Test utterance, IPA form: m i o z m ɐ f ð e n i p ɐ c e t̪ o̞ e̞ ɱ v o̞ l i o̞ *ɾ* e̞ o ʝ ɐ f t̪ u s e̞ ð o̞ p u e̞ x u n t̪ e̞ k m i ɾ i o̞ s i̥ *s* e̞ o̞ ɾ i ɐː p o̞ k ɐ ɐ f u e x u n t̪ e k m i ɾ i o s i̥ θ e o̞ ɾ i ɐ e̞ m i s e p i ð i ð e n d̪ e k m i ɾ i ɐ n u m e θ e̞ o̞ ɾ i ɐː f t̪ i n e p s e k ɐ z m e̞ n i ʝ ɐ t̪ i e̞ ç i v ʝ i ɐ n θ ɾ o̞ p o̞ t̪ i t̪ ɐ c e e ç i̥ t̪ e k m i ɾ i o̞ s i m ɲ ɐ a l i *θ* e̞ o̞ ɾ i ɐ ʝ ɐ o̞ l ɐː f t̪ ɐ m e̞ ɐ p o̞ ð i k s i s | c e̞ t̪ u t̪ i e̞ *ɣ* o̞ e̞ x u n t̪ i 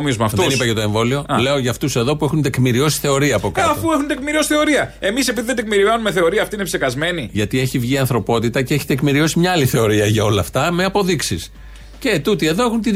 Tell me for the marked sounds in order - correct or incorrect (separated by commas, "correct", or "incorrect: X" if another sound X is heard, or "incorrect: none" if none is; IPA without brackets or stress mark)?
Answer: incorrect: l, incorrect: θ, correct, incorrect: ð